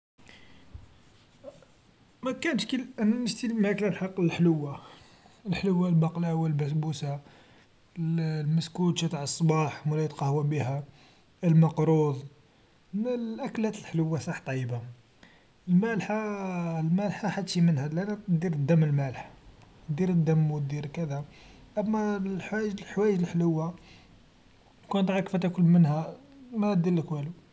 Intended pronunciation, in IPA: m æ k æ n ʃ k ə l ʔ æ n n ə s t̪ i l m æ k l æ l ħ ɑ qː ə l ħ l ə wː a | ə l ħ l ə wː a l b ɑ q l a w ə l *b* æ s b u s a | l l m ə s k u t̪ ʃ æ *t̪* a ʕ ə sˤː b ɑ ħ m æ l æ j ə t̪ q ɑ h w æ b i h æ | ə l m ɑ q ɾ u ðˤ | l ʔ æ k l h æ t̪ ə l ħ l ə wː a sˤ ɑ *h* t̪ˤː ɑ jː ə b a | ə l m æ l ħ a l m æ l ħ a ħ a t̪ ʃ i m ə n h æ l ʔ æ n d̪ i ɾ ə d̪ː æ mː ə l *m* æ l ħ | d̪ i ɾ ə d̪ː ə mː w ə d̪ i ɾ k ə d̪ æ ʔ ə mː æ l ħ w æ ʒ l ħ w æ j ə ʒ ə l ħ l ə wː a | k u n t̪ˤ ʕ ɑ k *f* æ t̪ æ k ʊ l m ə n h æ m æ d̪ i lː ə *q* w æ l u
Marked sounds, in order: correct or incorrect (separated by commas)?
correct, correct, incorrect, correct, correct, incorrect